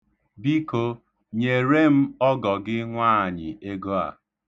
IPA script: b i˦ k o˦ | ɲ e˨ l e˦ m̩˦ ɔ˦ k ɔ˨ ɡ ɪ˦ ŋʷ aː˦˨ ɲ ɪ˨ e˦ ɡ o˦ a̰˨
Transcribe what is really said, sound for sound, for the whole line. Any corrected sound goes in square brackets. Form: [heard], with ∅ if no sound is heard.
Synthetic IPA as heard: b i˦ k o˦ | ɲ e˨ [ɾ] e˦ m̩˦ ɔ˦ [ɡ] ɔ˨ ɡ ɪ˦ ŋʷ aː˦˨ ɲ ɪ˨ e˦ ɡ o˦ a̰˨